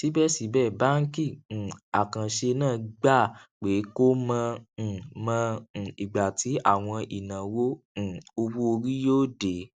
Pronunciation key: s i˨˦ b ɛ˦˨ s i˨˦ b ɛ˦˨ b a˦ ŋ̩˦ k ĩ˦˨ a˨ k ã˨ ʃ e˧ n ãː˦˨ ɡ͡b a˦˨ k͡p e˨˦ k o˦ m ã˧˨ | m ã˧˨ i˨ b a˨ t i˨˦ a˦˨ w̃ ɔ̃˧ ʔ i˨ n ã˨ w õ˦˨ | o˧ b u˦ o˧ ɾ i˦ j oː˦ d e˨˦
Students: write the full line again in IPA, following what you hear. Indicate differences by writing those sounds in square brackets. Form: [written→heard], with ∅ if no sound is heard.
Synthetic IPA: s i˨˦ b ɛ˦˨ s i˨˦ b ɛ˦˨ b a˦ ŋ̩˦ k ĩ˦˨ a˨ k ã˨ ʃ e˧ n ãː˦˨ ɡ͡b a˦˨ k͡p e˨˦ k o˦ m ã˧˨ | m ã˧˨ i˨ [b→ɡ͡b] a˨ t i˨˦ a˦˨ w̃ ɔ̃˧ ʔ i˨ n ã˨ w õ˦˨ | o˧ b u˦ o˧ ɾ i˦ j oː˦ d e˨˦